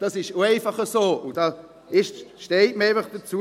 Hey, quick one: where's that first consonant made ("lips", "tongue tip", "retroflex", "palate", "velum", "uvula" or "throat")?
tongue tip